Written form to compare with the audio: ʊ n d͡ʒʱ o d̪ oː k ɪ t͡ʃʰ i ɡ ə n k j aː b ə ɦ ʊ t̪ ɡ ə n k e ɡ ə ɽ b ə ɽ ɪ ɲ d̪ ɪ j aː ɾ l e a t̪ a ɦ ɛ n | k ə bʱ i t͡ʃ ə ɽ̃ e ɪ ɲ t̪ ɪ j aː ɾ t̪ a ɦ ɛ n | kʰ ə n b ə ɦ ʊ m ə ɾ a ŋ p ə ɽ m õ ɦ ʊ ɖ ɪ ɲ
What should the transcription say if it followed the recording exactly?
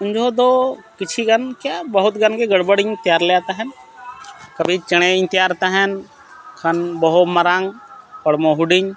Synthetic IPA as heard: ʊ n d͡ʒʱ o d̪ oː k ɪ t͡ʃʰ i ɡ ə n k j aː b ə ɦ ʊ t̪ ɡ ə n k e ɡ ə ɽ b ə ɽ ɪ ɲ t̪ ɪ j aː ɾ l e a t̪ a ɦ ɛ n | k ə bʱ i t͡ʃ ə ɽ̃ e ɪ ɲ t̪ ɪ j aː ɾ t̪ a ɦ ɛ n | kʰ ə n b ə ɦ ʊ m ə ɾ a ŋ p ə ɽ m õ ɦ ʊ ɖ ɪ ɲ

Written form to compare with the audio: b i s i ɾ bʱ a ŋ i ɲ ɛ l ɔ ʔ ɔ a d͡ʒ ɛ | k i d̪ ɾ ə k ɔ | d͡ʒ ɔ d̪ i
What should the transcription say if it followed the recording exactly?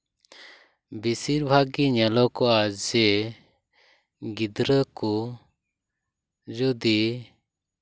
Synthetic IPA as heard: b i s i ɾ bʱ a ɡ i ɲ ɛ l ɔ k ɔ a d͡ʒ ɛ | ɡ i d̪ ɾ ə k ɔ | d͡ʒ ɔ d̪ i

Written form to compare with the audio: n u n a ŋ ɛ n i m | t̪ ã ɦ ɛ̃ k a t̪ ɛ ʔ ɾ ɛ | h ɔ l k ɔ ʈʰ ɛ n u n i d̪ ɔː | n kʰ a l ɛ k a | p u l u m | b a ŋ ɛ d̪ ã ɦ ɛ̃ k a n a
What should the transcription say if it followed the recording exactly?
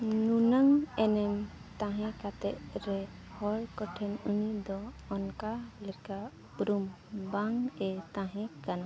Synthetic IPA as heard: n u n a ŋ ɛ n ɛ m | t̪ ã ɦ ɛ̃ k a t̪ ɛ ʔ ɾ ɛ | h ɔ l k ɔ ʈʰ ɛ n u n i d̪ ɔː | n k a l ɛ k a | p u ɾ u m | b a ŋ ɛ t̪ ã ɦ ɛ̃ k a n a

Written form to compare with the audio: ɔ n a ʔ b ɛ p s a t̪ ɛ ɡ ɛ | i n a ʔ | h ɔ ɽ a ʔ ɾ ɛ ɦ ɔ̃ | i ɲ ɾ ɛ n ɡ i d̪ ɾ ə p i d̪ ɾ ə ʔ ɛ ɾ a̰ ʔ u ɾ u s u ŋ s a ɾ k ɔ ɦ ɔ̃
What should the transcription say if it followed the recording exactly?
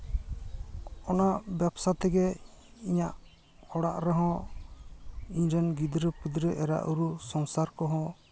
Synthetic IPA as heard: ɔ n a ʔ b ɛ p s a t̪ ɛ ɡ ɛ | i ɲ a ʔ | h ɔ ɽ a ʔ ɾ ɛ ɦ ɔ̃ | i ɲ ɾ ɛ n ɡ i d̪ ɾ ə p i d̪ ɾ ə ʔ ɛ ɾ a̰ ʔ u ɾ u s ɔ ŋ s a ɾ k ɔ ɦ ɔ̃

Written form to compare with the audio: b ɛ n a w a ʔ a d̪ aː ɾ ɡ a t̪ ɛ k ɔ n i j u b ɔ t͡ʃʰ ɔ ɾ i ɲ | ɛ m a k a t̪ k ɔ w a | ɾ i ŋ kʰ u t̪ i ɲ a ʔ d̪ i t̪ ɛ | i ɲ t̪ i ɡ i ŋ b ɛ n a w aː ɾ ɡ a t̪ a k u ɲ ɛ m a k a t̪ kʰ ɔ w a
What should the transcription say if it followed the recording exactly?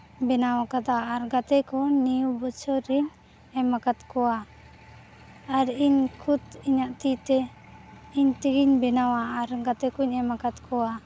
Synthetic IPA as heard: b ɛ n a w a k a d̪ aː ɾ ɡ a t̪ ɛ k ɔ n i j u b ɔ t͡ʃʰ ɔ ɾ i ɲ | ɛ m a k a t̪ k ɔ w a | ɾ i ɲ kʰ u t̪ i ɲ a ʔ t̪ i t̪ ɛ | i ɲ t̪ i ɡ i ɲ b ɛ n a w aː ɾ ɡ a t̪ ɛ k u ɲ ɛ m a k a t̪ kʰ ɔ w a

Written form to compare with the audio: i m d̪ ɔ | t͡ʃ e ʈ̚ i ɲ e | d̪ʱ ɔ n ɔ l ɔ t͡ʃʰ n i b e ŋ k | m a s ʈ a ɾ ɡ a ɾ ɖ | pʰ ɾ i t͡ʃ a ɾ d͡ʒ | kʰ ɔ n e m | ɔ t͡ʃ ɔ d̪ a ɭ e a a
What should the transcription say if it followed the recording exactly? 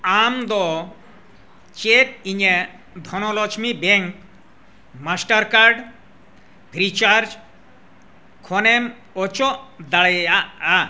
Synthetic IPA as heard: a m d̪ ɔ | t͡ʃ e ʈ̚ i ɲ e | d̪ʱ ɔ n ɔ l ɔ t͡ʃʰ m i b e ŋ k | m a s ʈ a ɾ k a ɾ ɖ | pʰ ɾ i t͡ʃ a ɾ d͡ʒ | kʰ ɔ n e m | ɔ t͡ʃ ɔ d̪ a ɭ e a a

